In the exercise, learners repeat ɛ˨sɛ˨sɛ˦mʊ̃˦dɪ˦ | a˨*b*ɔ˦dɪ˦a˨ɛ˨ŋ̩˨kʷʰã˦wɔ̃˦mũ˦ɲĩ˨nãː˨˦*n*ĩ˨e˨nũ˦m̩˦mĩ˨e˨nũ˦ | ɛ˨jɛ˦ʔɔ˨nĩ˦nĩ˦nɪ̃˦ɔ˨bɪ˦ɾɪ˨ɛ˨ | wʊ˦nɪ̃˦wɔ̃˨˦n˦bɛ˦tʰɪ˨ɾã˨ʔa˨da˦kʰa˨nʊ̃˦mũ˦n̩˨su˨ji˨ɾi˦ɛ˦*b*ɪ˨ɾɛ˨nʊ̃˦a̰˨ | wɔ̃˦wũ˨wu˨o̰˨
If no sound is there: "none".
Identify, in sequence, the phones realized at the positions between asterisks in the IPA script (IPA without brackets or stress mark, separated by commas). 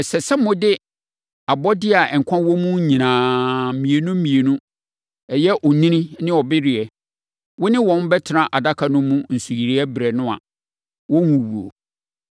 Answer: b, m, b